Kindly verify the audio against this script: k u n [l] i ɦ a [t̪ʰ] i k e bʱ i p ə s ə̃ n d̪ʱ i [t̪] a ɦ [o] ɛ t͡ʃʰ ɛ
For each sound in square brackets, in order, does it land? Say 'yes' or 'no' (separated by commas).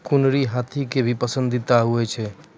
no, yes, yes, no